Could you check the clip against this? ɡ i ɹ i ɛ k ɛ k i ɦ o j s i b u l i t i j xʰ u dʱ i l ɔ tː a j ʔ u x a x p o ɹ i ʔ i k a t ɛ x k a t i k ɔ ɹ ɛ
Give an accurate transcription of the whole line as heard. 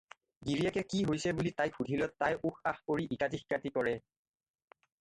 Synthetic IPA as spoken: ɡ i ɹ i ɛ k ɛ k i ɦ o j s ɛ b u l i t a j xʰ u dʱ i l ɔ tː a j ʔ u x a x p o ɹ i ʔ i k a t i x k a t i k ɔ ɹ ɛ